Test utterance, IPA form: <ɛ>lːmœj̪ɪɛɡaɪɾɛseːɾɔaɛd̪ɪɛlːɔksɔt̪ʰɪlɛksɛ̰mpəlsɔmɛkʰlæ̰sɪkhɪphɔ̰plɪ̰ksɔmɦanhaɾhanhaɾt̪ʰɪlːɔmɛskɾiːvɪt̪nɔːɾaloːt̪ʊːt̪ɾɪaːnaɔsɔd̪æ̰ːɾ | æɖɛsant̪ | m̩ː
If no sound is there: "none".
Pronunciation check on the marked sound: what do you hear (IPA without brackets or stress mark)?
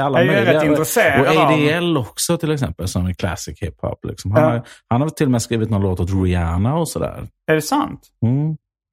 a